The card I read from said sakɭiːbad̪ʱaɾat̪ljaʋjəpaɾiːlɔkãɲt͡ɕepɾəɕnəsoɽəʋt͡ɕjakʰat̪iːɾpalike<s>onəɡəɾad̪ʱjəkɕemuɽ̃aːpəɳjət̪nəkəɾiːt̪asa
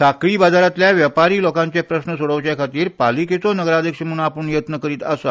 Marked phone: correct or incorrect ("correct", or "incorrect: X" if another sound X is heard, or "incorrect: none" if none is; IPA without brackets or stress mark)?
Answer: incorrect: t͡s